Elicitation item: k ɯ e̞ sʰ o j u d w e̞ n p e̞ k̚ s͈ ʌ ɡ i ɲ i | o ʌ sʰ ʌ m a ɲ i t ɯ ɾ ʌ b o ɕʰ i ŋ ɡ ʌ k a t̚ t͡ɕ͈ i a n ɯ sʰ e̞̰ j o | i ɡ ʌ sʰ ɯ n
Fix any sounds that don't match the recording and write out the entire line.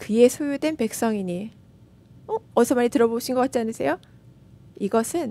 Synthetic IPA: k ɯ e̞ sʰ o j u d w e̞ n p e̞ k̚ s͈ ʌ ŋ i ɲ i | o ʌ sʰ ʌ m a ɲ i t ɯ ɾ ʌ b o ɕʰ i n ɡ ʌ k a t̚ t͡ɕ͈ i a n ɯ sʰ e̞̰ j o | i ɡ ʌ sʰ ɯ n